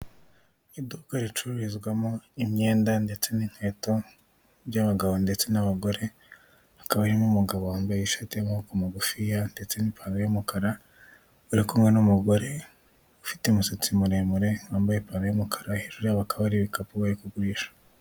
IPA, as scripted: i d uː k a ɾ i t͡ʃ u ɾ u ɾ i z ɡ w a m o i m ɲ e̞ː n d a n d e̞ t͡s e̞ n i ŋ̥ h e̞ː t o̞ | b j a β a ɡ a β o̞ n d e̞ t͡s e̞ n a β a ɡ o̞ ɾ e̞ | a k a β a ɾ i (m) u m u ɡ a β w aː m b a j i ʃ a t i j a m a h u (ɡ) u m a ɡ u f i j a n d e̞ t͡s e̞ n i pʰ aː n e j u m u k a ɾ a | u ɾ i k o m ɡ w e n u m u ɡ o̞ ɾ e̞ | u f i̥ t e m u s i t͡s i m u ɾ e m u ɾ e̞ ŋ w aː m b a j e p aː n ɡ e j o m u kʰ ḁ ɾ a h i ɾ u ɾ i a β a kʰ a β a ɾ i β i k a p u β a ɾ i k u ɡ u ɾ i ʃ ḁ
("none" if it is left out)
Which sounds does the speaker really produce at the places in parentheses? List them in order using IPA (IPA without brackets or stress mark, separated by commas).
m, k